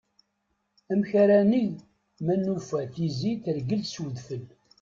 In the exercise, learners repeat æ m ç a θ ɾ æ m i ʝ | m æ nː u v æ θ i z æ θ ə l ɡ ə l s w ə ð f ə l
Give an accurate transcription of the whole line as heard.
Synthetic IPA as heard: æ m ç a ɾ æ n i ʝ | m æ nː u f æ θ i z i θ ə ɾ ɡ ə l s w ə ð f ə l